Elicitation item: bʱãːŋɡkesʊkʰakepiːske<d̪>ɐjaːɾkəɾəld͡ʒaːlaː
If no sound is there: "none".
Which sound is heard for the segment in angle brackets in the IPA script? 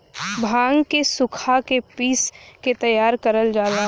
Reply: t̪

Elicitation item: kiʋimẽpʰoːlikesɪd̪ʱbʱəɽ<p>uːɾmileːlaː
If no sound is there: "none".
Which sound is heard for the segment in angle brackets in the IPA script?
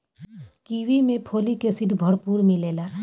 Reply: p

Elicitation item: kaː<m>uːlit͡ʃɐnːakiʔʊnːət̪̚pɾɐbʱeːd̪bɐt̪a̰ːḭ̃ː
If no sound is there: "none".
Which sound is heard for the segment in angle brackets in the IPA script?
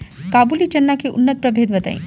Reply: b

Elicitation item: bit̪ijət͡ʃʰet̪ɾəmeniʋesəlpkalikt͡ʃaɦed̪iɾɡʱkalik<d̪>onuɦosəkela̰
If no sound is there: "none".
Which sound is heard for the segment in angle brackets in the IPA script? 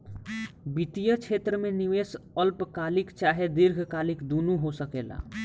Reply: d̪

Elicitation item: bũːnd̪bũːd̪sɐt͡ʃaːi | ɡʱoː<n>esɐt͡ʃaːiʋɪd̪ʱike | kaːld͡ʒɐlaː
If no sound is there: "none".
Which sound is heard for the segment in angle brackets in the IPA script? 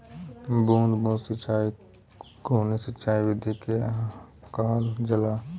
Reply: n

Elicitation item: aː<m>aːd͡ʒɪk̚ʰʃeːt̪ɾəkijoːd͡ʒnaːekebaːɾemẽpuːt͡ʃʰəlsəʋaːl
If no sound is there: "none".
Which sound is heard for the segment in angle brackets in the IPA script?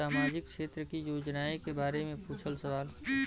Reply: m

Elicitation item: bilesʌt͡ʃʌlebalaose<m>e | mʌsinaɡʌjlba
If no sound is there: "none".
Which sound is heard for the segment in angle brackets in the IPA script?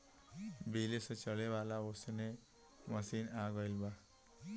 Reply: n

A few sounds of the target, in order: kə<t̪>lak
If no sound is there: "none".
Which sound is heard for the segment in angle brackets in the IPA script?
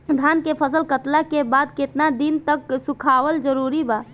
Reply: t̪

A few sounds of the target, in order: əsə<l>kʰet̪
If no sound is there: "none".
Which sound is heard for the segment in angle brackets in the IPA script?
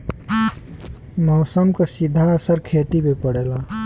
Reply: ɾ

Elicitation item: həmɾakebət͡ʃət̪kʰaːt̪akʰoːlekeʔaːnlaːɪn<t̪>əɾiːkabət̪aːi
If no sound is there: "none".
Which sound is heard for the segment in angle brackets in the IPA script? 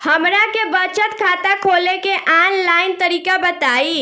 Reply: t̪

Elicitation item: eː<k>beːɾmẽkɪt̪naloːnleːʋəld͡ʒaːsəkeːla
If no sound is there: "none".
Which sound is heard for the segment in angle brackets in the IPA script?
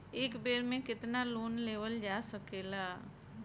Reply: k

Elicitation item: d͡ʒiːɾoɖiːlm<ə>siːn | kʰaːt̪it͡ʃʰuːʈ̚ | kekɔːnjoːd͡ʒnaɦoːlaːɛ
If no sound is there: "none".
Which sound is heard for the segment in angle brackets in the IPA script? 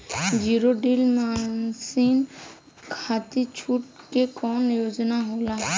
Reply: a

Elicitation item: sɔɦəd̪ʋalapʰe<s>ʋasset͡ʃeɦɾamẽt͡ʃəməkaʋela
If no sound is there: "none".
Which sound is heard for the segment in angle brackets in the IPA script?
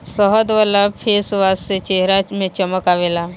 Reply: s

